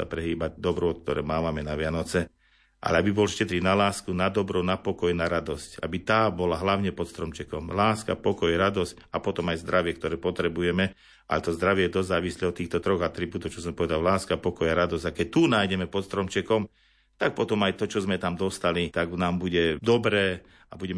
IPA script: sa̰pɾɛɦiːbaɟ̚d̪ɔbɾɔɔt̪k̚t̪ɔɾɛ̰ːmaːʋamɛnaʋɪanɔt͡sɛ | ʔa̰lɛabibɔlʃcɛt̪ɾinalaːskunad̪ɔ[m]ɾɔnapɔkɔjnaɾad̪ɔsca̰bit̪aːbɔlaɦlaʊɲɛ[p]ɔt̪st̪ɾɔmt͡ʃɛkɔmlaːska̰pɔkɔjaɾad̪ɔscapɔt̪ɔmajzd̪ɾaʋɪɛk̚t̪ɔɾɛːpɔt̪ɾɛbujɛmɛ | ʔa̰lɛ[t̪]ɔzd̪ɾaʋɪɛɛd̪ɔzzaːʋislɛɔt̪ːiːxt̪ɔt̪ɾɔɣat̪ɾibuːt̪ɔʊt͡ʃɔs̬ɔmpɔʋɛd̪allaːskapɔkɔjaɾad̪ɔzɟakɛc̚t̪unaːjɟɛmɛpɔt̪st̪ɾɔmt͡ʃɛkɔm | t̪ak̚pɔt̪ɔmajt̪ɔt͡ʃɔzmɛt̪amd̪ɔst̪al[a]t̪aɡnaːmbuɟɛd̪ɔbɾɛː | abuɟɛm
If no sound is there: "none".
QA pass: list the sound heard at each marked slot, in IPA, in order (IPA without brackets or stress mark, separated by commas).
b, p, t̪, i